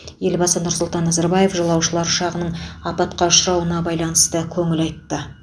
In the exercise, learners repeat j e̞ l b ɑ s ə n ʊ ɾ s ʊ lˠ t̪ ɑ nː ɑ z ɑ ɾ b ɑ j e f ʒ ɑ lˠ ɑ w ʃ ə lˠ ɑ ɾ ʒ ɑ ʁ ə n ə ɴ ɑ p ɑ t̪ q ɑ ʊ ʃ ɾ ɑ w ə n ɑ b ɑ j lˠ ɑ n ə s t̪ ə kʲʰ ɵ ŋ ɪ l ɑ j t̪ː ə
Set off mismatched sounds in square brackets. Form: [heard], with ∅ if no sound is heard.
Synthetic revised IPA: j e̞ l b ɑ s ə n ʊ ɾ s ʊ lˠ t̪ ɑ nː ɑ z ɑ ɾ b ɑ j e f ʒ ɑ lˠ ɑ w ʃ ə lˠ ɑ ɾ [ʃ] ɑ ʁ ə n ə ɴ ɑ p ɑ t̪ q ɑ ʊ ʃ ɾ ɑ w ə n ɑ b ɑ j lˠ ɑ n ə s t̪ ə kʲʰ ɵ ŋ ɪ l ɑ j t̪ː ə